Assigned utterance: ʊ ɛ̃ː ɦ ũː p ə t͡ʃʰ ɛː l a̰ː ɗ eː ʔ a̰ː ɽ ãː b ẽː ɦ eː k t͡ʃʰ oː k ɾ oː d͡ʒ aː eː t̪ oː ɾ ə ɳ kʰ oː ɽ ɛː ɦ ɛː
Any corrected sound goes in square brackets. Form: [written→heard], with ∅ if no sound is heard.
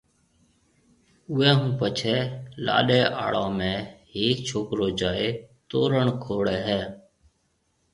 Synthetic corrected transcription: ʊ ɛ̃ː ɦ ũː p ə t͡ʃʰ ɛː l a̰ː ɗ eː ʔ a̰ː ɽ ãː [b→m] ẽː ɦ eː k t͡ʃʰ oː k ɾ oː d͡ʒ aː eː t̪ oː ɾ ə ɳ kʰ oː ɽ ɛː ɦ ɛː